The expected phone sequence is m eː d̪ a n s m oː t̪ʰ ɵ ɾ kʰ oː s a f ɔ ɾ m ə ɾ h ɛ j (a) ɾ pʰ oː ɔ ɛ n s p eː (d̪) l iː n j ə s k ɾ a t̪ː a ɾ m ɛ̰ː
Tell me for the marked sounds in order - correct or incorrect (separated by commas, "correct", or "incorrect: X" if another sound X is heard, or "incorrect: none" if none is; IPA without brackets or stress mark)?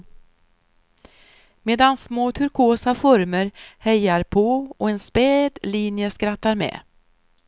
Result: correct, correct